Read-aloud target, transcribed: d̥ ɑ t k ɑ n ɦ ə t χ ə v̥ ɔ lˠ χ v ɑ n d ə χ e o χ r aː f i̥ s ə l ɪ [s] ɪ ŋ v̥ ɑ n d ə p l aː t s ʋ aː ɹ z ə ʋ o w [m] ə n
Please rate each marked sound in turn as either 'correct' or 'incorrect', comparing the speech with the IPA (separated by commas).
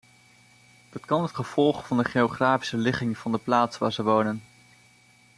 incorrect, incorrect